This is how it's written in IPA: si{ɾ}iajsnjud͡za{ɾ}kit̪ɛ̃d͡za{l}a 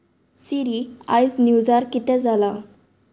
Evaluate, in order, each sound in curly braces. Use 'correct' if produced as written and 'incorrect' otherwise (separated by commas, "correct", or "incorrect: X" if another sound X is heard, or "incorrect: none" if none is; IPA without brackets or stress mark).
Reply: correct, correct, correct